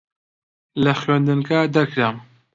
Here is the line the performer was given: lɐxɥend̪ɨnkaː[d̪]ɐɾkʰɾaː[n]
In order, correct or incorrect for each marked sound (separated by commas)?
correct, incorrect